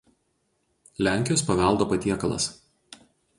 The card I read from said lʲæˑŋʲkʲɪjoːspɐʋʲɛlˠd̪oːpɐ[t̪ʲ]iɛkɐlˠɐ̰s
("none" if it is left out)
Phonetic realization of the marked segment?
t̪ʲ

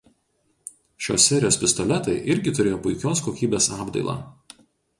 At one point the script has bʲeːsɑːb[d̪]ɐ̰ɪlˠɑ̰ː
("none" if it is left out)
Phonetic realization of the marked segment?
d̪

